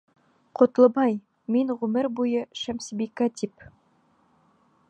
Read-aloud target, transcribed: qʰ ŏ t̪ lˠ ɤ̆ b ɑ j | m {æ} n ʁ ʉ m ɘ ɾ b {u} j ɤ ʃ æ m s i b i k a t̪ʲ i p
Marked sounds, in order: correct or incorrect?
incorrect, correct

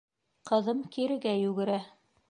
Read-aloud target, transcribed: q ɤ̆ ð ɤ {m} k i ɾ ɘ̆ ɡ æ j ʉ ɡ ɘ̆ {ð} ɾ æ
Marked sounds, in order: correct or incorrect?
correct, incorrect

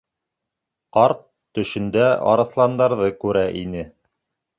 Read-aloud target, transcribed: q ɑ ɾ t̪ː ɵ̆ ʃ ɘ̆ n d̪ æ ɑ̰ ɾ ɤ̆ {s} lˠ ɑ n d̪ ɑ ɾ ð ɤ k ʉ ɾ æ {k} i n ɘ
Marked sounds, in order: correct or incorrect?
incorrect, incorrect

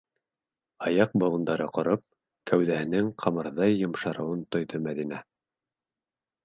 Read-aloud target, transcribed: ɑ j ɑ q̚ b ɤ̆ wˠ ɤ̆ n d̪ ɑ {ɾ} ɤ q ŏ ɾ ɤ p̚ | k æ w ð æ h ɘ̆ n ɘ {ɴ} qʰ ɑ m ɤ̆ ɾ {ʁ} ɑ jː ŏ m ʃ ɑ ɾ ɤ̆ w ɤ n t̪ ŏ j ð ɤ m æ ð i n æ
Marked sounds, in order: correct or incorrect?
correct, incorrect, incorrect

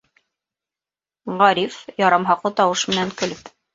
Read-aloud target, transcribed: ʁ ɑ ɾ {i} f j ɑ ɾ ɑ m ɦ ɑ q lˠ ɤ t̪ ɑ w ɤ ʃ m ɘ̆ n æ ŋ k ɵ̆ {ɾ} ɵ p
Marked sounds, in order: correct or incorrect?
correct, incorrect

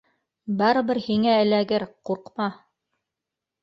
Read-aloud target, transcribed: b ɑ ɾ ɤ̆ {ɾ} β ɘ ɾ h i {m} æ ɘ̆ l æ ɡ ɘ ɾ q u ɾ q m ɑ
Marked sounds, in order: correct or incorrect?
incorrect, incorrect

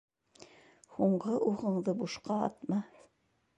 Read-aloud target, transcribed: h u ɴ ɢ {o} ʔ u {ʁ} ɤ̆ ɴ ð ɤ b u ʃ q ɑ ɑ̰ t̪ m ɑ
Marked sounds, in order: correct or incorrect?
incorrect, correct

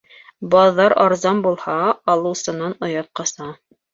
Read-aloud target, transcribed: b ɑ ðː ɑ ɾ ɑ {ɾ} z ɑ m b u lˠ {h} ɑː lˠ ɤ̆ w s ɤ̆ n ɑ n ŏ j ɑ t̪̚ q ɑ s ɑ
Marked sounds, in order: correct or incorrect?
correct, correct

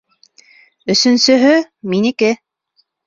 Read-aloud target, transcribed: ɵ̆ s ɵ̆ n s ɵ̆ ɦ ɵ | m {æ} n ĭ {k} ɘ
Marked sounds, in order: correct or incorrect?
incorrect, correct

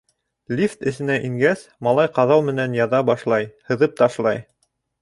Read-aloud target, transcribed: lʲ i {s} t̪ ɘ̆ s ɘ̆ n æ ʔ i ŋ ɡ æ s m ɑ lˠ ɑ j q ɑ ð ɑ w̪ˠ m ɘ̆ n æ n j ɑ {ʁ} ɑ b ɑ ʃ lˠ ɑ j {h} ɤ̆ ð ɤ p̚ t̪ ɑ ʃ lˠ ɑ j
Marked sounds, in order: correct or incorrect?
incorrect, incorrect, correct

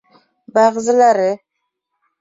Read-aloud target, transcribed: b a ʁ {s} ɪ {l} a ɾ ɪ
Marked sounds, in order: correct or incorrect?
incorrect, correct

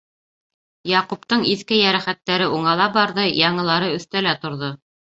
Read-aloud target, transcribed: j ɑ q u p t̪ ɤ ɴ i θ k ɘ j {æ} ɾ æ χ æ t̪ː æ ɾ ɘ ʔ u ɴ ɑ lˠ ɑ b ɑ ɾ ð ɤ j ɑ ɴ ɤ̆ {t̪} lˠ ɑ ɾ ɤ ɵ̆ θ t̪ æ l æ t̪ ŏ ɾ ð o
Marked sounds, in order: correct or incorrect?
correct, incorrect

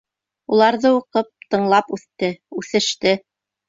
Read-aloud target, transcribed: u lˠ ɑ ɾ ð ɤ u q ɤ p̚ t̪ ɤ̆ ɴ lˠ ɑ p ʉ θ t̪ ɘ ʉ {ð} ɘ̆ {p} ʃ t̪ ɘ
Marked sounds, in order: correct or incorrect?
incorrect, incorrect

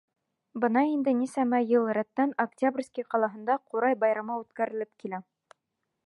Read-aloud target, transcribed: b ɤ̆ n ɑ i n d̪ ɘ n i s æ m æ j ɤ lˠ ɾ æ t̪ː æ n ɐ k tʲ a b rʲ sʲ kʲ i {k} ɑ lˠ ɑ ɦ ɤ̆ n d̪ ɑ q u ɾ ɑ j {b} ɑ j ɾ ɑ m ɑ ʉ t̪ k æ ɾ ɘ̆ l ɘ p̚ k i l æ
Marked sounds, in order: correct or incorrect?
incorrect, correct

